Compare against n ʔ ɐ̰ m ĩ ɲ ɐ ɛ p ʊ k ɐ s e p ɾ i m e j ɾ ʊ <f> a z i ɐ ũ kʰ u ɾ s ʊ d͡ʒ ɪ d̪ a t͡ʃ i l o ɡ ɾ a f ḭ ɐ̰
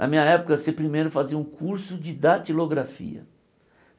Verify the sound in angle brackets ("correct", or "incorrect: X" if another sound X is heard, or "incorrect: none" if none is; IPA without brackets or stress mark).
correct